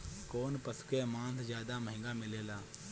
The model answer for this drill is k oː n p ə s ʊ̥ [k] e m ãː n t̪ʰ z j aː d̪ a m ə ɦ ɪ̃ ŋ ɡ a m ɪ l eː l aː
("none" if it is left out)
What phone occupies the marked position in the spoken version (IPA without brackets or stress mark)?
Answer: k